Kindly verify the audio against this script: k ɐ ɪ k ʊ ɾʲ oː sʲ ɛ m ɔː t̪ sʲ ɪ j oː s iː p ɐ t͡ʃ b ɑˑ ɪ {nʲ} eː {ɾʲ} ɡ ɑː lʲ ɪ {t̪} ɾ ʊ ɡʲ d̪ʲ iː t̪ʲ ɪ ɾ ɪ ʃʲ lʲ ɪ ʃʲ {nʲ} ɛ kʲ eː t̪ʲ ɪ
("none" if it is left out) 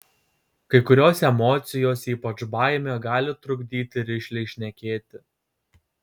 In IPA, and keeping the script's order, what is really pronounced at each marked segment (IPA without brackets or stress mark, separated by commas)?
mʲ, none, t̪, nʲ